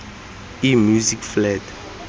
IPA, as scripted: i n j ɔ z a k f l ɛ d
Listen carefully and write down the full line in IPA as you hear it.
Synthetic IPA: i m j u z i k f l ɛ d